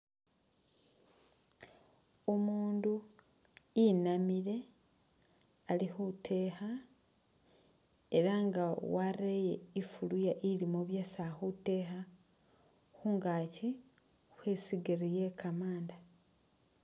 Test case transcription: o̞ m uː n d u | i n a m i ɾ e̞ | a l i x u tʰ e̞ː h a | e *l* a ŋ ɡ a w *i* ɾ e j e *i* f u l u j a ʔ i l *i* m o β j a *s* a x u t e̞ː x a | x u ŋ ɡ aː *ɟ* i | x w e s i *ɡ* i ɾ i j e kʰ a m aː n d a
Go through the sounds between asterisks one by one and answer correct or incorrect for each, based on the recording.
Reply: incorrect: ɾ, incorrect: a, correct, correct, correct, incorrect: c, correct

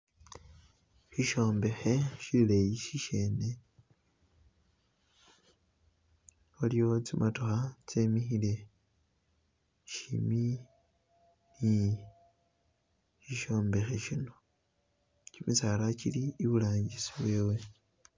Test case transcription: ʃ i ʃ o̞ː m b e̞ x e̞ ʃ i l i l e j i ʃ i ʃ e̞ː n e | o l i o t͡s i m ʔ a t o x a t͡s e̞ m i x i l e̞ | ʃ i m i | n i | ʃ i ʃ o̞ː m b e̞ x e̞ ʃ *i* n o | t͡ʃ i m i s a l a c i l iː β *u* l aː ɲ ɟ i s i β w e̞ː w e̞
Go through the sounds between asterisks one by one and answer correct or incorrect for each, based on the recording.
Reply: correct, correct

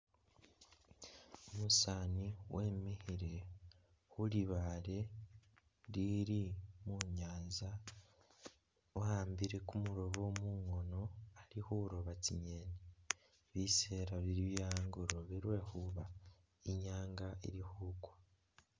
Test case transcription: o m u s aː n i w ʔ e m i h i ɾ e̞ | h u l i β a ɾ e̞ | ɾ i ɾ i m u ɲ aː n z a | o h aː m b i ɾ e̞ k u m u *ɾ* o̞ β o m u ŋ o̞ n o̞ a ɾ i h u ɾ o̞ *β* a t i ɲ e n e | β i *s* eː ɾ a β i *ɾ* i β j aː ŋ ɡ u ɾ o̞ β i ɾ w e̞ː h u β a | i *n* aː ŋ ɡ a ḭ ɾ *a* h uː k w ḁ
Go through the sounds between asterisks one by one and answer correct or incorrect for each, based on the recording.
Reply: correct, correct, correct, correct, incorrect: ɲ, incorrect: i

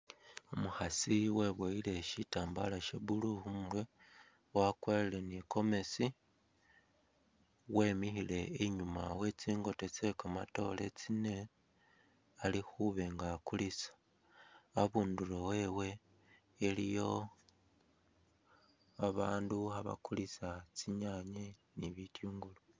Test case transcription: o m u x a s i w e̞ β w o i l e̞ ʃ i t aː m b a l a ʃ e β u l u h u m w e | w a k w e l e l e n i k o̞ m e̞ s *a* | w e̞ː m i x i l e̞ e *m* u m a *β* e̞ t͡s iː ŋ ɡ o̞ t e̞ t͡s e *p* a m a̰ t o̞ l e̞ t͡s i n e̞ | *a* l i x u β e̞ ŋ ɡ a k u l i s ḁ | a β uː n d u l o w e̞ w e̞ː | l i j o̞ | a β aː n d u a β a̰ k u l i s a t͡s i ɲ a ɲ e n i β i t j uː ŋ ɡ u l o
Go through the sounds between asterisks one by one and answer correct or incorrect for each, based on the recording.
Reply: incorrect: i, incorrect: ɲ, incorrect: w, incorrect: k, correct

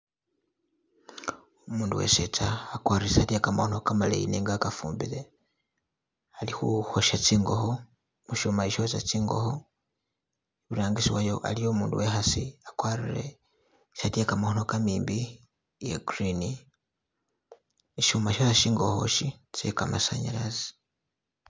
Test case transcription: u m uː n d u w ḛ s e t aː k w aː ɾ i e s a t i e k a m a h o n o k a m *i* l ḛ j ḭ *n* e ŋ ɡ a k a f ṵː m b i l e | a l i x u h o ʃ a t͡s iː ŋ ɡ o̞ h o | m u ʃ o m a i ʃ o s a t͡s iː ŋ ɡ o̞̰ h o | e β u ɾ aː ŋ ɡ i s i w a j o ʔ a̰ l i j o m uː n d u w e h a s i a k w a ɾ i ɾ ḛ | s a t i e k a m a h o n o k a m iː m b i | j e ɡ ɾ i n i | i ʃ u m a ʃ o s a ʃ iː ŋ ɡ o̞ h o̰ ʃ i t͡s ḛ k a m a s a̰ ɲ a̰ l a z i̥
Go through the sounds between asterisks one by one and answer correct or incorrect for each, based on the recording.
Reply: incorrect: a, correct

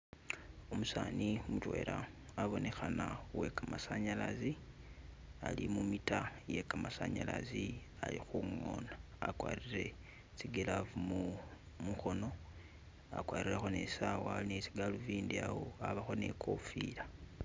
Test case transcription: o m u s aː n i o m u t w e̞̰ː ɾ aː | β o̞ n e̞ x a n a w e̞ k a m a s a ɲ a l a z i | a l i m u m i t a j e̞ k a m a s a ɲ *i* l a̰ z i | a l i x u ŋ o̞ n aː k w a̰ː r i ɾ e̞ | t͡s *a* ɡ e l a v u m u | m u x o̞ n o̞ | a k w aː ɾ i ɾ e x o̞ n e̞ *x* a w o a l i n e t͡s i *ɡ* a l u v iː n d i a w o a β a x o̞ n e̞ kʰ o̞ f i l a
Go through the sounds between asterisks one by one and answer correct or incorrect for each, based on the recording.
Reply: incorrect: a, incorrect: i, incorrect: s, correct

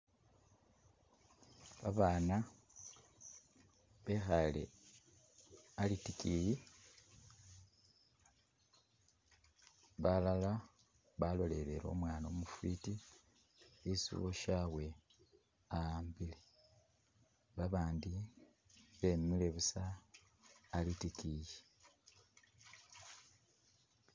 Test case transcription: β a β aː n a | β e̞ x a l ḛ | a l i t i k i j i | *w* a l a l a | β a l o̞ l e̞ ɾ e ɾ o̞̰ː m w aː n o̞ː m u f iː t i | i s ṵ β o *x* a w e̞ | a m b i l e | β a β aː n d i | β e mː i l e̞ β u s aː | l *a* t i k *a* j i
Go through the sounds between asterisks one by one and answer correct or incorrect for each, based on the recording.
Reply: incorrect: β, incorrect: ʃ, incorrect: i, incorrect: i

